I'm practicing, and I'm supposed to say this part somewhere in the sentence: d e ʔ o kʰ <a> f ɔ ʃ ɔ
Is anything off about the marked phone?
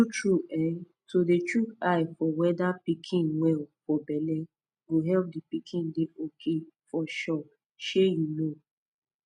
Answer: yes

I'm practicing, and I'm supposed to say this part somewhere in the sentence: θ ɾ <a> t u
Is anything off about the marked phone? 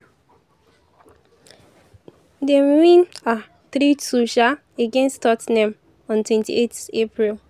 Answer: yes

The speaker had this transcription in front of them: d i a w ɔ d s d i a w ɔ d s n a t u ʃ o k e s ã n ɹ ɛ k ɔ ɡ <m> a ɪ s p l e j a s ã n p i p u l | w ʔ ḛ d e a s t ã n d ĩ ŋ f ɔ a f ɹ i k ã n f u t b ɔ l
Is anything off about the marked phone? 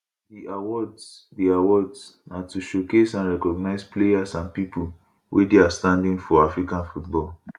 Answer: yes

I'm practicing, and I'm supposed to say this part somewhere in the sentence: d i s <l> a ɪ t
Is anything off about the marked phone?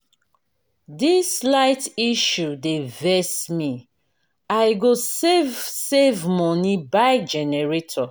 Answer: no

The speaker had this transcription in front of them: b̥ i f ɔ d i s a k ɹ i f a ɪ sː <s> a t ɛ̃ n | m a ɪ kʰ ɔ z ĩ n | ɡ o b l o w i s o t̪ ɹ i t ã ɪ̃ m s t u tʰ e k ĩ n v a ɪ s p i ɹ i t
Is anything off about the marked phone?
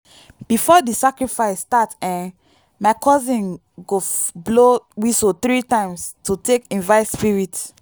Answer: yes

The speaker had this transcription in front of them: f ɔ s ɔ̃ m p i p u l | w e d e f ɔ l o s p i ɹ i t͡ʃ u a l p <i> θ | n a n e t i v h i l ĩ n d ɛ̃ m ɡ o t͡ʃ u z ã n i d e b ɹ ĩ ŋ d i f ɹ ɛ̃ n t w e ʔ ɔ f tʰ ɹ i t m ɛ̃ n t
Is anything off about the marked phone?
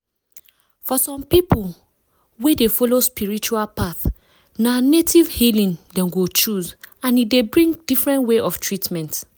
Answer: yes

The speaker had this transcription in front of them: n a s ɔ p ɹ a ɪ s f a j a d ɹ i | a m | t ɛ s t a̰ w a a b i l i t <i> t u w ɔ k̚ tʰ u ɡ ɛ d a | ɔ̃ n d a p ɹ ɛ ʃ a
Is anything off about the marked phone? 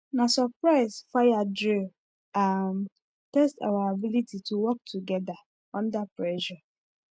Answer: no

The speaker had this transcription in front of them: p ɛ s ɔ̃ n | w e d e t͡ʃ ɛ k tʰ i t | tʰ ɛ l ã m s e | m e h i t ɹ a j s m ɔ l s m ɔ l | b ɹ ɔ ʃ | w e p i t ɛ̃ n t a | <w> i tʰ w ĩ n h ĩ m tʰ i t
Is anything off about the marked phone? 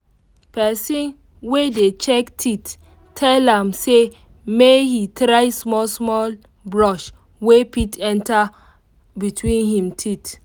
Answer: yes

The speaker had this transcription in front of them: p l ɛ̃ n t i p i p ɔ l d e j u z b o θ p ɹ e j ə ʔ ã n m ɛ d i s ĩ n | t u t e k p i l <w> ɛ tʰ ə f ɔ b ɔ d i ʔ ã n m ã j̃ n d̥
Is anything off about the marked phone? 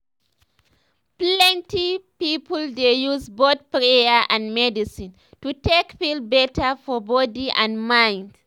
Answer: yes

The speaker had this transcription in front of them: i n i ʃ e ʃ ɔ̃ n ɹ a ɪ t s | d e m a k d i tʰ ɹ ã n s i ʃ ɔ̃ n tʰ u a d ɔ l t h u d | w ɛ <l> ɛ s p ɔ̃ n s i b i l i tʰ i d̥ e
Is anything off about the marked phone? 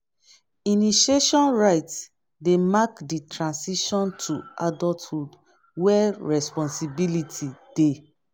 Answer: yes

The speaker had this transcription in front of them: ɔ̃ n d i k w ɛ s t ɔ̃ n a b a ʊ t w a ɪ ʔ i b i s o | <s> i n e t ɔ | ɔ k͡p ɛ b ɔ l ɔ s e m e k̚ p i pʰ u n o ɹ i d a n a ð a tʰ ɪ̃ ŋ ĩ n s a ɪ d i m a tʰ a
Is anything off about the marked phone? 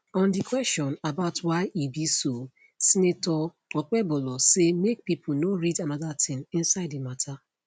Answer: no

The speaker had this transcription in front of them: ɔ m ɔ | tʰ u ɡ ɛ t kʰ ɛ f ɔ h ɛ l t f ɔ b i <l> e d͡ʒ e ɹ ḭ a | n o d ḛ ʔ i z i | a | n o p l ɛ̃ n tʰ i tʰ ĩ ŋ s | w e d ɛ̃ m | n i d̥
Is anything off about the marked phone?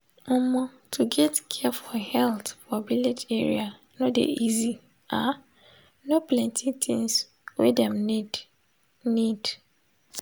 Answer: no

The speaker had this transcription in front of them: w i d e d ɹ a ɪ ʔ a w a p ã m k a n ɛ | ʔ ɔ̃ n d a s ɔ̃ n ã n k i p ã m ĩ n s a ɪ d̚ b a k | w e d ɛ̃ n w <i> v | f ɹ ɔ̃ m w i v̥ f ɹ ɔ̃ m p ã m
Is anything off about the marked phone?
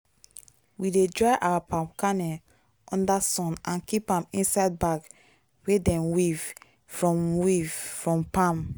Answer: no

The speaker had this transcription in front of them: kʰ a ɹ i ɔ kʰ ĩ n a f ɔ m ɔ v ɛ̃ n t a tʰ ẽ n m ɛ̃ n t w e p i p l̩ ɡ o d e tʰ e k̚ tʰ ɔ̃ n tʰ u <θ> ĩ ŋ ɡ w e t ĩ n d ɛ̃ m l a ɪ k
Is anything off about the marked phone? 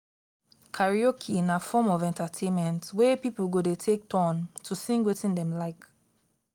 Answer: yes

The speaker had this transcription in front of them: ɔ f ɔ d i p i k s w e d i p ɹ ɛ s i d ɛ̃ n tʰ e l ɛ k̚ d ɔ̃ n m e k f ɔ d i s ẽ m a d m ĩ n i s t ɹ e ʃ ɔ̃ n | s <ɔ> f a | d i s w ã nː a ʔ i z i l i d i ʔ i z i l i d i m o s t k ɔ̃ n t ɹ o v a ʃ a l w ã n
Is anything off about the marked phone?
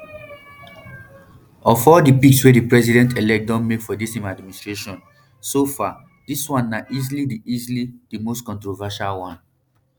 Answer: yes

